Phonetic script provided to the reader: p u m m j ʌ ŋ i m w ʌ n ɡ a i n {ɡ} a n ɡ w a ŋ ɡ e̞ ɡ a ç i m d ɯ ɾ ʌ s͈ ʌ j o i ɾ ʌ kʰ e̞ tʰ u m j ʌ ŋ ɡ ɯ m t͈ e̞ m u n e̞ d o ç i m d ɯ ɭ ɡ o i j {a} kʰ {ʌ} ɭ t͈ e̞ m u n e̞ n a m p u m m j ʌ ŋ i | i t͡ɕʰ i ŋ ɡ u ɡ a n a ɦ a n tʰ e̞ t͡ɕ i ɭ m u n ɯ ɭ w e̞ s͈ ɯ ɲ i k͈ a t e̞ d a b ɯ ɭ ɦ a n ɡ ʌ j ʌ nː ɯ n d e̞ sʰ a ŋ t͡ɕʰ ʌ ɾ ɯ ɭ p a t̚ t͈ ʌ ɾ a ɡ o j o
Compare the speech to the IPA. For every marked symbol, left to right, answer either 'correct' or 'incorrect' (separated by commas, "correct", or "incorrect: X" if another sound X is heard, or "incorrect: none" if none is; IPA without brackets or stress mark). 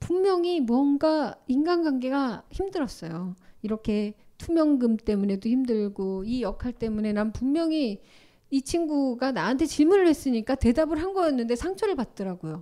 correct, incorrect: ʌ, incorrect: a